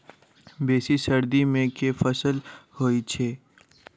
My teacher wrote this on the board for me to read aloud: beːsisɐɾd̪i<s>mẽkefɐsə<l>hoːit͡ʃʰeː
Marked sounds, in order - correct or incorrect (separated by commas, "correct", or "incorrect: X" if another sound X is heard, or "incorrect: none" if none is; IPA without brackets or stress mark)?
incorrect: none, correct